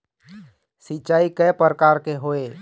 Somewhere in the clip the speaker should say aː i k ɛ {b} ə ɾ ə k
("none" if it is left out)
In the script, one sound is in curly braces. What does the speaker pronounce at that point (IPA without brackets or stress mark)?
p